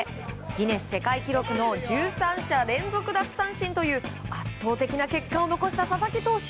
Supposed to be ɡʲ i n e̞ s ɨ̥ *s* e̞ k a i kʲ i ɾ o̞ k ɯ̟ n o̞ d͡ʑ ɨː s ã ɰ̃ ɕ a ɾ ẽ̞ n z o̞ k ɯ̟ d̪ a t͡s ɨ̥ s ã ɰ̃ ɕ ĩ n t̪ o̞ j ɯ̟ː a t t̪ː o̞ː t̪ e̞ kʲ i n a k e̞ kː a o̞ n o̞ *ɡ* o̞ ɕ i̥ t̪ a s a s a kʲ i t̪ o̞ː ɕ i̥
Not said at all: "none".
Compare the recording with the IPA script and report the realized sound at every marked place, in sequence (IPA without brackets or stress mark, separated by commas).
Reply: s, k